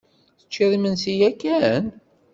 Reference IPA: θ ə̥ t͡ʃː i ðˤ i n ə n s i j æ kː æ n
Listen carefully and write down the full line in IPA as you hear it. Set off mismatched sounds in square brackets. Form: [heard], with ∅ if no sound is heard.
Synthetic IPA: θ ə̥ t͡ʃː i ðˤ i [m] ə n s i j æ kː æ n